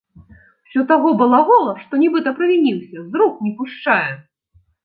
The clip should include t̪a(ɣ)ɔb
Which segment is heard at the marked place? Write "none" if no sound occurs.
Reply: ɣ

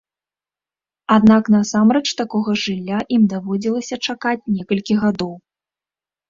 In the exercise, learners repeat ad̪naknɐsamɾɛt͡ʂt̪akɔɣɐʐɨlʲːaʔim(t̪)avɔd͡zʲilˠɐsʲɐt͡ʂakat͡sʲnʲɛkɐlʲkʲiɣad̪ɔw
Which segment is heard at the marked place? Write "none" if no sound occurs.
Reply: d̪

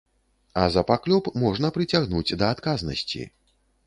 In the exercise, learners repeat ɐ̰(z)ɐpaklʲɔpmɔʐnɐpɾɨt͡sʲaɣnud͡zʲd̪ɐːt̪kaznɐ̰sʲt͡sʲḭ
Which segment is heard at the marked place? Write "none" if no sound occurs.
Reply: z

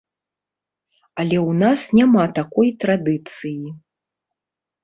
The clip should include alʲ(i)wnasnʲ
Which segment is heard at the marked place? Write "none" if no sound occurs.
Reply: ɛ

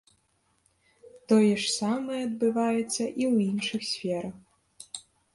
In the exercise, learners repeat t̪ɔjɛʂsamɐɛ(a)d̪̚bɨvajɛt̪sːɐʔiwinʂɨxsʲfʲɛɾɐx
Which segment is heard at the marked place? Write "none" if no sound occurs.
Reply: ɐ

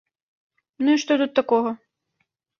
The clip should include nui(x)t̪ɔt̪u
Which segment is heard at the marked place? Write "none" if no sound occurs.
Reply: ʂ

